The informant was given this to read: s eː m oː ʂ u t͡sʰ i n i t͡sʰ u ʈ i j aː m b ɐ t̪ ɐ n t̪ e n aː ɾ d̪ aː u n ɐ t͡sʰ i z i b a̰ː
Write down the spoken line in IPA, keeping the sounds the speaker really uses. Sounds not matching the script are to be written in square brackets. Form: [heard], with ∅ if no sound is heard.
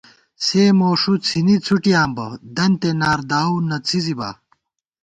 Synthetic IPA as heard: s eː m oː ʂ u t͡sʰ i n i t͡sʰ u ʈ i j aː m b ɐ [d̪] ɐ n t̪ e n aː ɾ d̪ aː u n ɐ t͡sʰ i z i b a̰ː